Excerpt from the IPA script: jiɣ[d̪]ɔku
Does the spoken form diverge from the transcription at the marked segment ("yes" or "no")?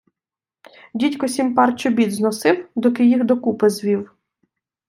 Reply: no